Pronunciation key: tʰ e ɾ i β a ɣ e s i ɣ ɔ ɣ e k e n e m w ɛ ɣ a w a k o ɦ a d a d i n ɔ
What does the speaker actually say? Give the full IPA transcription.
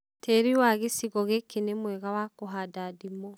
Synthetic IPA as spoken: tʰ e ɾ i w a ɣ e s i ɣ ɔ ɣ e k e n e m w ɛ ɣ a w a k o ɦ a d a d i m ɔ